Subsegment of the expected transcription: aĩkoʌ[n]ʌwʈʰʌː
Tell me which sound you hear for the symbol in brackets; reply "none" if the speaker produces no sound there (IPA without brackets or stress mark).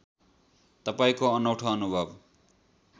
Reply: n